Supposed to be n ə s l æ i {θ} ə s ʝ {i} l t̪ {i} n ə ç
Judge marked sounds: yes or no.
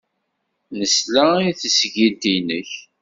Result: yes, yes, yes

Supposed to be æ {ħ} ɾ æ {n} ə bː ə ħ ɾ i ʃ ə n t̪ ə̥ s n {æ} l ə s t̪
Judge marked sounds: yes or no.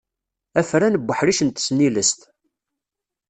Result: no, yes, no

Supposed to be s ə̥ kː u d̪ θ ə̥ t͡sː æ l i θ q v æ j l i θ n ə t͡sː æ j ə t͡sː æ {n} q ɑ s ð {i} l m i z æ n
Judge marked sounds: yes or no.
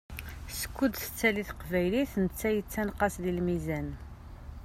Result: yes, yes

